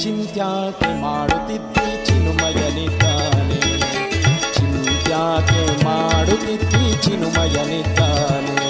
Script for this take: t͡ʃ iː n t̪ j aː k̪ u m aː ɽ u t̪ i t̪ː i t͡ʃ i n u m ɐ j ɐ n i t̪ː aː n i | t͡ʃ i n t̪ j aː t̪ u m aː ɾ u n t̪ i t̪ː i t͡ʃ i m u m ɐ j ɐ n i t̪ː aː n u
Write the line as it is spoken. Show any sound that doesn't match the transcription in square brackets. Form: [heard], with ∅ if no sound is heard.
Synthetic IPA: t͡ʃ [i] n t̪ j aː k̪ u m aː ɽ u t̪ i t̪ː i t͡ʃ i n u m ɐ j ɐ n i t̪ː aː n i | t͡ʃ i n t̪ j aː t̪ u m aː [ɽ] u [∅] t̪ i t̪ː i t͡ʃ i [n] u m ɐ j ɐ n i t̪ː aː n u